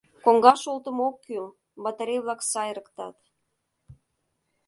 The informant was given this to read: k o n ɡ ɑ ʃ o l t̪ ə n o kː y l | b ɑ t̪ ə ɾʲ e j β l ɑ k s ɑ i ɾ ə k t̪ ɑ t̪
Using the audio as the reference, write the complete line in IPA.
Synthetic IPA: k o ŋ ɡ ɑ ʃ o l t̪ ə m o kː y l | b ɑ t̪ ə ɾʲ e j β l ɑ k s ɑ j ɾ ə k t̪ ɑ t̪

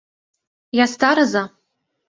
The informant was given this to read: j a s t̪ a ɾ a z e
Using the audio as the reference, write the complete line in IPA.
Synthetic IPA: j a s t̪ a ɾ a z a

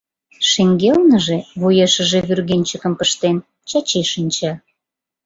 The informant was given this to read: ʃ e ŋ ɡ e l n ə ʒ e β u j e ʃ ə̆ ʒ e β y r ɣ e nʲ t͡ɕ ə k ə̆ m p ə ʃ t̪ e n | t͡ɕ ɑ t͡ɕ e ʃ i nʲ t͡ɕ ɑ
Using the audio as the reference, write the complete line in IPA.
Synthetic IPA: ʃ e ŋ ɡ e l n ə ʒ e β u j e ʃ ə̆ ʒ e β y r ɣ e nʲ t͡ɕ ə k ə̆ m p ə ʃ t̪ e n | t͡ɕ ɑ t͡ɕ e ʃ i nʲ t͡ɕ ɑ

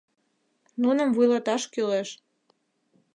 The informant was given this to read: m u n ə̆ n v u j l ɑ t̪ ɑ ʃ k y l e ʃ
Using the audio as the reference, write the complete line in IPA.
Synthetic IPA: n u n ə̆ m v u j l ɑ t̪ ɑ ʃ k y l e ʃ

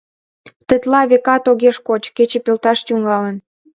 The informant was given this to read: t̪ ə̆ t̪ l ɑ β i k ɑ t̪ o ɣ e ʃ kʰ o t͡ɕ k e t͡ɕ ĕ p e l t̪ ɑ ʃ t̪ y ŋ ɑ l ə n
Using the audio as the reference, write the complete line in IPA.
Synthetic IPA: t̪ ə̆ t̪ l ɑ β e k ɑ t̪ o ɣ e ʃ k o t͡ɕ k e t͡ɕ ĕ p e l t̪ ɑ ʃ t̪ y ŋ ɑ l ə n

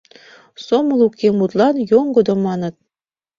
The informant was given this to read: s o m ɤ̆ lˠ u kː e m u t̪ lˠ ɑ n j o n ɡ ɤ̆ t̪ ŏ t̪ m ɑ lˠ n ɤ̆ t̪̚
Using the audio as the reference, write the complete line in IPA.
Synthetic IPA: s o m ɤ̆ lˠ u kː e m u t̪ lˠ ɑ n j o ŋ ɡ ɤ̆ d̪ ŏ m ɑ n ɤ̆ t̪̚

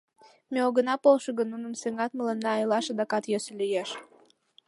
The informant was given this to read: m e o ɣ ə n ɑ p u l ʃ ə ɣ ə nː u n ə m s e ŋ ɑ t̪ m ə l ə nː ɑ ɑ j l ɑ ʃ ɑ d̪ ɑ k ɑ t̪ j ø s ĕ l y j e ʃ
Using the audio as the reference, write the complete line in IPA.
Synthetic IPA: m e o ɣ ə n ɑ p o l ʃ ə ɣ ə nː u n ə m s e ŋ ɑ t̪ m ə l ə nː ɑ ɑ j l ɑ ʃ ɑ d̪ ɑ k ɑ t̪ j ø s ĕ l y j e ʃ

